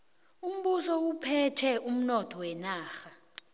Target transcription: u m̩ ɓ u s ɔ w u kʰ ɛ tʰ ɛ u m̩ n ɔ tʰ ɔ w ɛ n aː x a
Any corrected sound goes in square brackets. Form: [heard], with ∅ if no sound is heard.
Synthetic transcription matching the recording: u m̩ ɓ u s ɔ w u [pʰ] ɛ tʰ ɛ u m̩ n ɔ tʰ ɔ w ɛ n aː x a